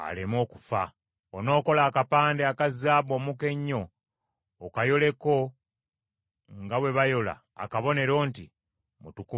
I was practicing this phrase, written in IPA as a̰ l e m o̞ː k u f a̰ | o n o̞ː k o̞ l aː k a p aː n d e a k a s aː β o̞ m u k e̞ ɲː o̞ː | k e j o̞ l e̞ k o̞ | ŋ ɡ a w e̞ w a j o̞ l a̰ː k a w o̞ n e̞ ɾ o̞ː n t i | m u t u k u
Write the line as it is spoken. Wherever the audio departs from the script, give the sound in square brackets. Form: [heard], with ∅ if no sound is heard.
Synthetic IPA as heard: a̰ l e m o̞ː k u f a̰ | o n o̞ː k o̞ l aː k a p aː n d e a k a [z] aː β o̞ m u k e̞ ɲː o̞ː | k [a] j o̞ l e̞ k o̞ | ŋ ɡ a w e̞ [β] a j o̞ l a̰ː k a [β] o̞ n e̞ ɾ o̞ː n t i | m u t u k u

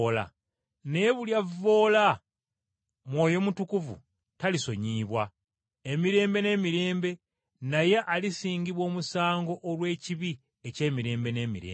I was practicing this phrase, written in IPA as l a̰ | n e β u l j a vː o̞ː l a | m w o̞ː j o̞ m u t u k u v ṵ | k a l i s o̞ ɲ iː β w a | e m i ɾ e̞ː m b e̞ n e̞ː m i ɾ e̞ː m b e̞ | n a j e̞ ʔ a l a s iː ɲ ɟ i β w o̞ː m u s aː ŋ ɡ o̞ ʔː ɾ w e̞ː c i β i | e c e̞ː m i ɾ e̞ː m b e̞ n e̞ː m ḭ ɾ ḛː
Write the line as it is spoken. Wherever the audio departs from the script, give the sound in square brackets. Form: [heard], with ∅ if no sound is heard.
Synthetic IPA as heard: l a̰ | n e β u l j a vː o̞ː l a | m w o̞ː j o̞ m u t u k u v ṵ | [t] a l i s o̞ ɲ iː β w a | e m i ɾ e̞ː m b e̞ n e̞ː m i ɾ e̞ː m b e̞ | n a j e̞ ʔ a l [i] s iː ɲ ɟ i β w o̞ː m u s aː ŋ ɡ o̞ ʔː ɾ w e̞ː c i β i | e c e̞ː m i ɾ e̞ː m b e̞ n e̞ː m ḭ ɾ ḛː

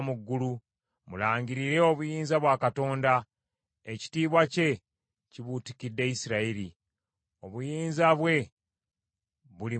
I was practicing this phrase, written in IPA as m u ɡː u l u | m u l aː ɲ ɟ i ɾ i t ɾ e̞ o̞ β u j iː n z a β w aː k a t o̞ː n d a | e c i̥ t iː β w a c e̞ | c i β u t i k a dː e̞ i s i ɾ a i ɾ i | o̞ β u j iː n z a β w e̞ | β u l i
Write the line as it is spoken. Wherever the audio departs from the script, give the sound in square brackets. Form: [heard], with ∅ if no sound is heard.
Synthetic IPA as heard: m u ɡː u l u | m u l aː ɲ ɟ i ɾ i [∅] ɾ e̞ o̞ β u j iː n z a β w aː k a t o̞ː n d a | e c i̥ t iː β w a c e̞ | c i β u t i k [i] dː e̞ i s i ɾ a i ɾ i | o̞ β u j iː n z a β w e̞ | β u l i

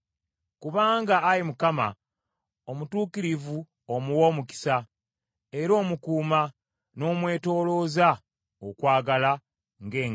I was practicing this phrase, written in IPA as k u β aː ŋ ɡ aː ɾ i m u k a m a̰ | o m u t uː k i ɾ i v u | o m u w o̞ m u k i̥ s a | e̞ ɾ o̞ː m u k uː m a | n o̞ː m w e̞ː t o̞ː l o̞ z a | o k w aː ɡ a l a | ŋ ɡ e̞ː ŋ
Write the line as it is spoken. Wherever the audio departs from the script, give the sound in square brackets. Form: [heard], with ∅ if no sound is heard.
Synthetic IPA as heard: k u β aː ŋ ɡ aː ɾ i m u k a m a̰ | o m u t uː k i ɾ i v u | o m u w o̞ m u k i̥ s a | e̞ ɾ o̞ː m u k uː m a | n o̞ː m w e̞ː t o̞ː l o̞ z a | o k w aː ɡ a l a | ŋ ɡ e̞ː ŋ

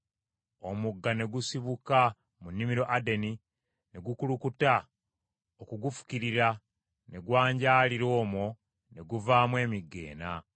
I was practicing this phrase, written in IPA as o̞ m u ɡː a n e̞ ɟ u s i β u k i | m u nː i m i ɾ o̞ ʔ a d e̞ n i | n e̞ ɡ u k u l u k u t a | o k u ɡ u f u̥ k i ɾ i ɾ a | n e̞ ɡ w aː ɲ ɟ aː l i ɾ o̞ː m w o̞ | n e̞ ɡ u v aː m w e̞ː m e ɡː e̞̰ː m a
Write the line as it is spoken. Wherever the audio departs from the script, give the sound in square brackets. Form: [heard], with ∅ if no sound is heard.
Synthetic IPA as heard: o̞ m u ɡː a n e̞ [ɡ] u s i β u k [a] | m u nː i m i ɾ o̞ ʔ a d e̞ n i | n e̞ ɡ u k u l u k u t a | o k u ɡ u f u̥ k i ɾ i ɾ a | n e̞ ɡ w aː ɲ ɟ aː l i ɾ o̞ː m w o̞ | n e̞ ɡ u v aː m w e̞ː m [i] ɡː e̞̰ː [n] a

